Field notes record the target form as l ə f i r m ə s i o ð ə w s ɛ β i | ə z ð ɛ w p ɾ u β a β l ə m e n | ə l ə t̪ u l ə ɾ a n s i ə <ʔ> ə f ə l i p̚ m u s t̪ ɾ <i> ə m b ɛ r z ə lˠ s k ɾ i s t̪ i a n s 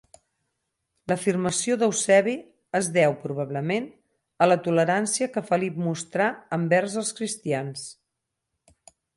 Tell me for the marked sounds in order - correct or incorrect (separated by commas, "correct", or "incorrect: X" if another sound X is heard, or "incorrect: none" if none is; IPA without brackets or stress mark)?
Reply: incorrect: k, incorrect: a